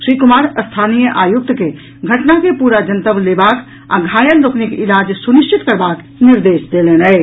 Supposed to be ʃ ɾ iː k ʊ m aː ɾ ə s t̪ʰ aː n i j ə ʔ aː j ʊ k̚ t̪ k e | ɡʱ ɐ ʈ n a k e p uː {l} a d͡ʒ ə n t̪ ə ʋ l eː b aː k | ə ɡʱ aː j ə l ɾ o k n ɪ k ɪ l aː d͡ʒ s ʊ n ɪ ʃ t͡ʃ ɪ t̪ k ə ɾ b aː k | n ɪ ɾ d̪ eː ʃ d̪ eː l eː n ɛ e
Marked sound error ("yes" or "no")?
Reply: yes